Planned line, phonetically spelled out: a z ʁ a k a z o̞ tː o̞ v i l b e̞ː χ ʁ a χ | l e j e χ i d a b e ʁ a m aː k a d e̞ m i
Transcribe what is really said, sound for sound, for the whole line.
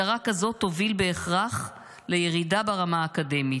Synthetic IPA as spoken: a ʁ a k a z o̞ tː o̞ v i l b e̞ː χ ʁ a χ | l e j e ʁ i d a b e ʁ a m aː k a d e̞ m i